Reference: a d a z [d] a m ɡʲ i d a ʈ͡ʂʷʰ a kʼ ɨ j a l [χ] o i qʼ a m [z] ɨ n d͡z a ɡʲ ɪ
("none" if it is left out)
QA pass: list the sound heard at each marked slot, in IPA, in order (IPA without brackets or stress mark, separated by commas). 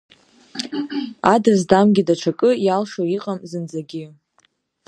d, ʂ, z